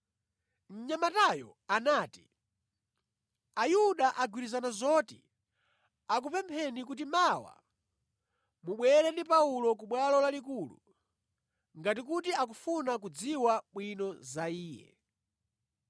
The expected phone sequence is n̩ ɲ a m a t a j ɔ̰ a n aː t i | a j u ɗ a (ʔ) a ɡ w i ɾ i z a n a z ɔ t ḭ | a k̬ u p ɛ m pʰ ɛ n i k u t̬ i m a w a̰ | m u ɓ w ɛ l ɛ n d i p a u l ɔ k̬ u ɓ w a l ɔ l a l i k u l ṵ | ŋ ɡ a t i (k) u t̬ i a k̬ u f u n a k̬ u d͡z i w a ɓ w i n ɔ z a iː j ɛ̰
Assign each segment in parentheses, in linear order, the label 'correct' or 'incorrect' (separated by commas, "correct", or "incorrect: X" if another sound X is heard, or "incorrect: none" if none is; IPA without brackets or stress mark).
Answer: correct, correct